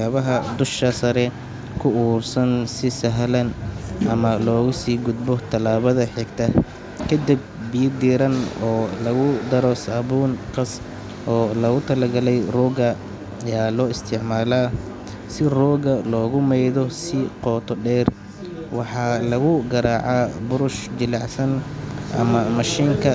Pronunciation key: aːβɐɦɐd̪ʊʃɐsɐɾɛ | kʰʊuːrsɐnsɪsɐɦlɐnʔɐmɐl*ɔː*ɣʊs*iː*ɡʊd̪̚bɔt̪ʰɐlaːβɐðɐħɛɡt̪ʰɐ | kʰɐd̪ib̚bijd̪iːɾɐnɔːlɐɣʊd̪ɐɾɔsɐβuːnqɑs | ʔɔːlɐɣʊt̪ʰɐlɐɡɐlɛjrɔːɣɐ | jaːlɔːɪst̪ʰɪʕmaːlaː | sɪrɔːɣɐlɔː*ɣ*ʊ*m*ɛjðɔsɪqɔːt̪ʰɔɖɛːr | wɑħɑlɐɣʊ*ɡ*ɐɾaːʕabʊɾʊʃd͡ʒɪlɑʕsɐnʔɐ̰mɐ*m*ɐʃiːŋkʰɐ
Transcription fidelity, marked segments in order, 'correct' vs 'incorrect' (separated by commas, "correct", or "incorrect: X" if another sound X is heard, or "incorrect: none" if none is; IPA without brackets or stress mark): correct, correct, correct, correct, correct, correct